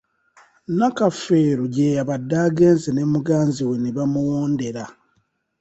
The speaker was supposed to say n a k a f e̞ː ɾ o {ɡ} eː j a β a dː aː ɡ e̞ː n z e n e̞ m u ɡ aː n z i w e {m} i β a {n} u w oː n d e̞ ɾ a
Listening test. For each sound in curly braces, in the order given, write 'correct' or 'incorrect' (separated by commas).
incorrect, incorrect, incorrect